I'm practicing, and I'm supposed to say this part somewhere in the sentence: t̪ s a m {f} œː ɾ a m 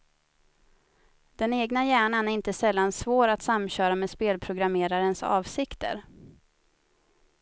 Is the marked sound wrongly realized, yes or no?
yes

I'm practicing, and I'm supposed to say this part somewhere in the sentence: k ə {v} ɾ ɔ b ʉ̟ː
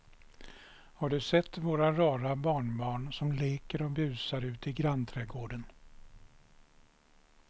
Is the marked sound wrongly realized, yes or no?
yes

